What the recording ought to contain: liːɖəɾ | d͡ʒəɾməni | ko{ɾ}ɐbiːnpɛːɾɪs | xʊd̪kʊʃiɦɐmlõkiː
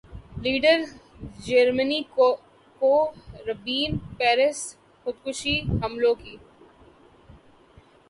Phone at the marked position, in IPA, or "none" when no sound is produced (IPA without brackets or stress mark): ɾ